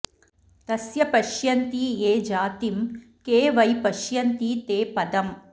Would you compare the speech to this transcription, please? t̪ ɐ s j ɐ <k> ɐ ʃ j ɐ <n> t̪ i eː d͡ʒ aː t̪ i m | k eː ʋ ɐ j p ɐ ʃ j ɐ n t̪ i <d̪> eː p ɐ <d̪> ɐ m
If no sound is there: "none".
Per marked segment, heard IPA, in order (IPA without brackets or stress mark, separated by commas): p, n, t̪, d̪